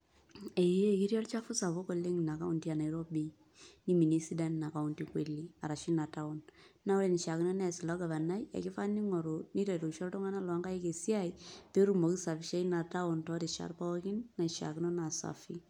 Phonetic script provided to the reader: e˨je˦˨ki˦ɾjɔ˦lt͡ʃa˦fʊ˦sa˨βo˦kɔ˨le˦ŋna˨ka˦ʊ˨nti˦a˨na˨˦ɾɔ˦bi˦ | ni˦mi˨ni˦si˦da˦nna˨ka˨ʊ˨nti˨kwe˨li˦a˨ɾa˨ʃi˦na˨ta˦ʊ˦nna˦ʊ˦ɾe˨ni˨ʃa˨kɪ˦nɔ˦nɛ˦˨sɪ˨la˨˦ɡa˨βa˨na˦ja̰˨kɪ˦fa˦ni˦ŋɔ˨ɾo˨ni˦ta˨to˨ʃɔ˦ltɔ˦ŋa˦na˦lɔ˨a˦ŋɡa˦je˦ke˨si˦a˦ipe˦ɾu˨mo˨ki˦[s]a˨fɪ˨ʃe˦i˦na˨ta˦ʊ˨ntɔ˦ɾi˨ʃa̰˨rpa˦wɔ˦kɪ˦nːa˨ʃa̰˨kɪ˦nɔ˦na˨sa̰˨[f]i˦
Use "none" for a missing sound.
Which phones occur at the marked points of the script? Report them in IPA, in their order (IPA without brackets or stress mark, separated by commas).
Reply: s, f